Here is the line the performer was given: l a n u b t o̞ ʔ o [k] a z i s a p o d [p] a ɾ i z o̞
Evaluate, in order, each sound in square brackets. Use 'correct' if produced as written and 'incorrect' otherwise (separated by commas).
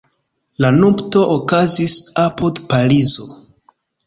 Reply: correct, correct